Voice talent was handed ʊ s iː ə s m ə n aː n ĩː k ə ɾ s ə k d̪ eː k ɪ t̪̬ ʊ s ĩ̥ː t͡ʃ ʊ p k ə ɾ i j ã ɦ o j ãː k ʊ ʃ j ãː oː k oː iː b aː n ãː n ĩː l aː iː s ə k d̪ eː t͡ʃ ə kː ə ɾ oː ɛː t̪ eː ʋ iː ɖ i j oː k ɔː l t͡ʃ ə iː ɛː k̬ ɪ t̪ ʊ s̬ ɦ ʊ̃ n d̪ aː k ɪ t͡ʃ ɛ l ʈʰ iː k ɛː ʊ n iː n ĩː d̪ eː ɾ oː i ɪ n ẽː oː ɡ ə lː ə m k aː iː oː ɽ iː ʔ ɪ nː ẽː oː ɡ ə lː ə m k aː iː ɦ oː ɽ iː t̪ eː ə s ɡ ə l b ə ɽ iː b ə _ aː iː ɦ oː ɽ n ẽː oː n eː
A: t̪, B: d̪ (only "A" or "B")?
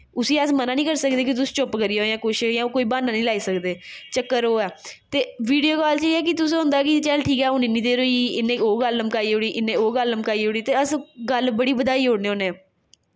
B